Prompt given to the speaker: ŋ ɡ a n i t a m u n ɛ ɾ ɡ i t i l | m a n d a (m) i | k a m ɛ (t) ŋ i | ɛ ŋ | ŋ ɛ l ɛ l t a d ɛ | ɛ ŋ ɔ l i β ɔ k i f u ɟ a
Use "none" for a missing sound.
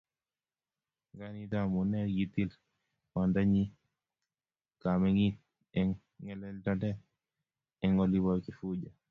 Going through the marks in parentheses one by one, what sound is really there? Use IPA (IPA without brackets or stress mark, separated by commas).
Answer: ɲ, none